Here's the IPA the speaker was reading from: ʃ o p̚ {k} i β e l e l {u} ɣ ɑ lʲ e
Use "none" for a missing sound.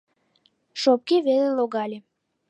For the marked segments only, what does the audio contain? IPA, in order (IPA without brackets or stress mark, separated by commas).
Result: k, o